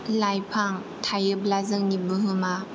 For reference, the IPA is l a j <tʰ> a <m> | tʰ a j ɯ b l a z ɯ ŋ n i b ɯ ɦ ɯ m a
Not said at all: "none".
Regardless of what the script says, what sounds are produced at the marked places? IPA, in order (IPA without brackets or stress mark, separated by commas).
pʰ, ŋ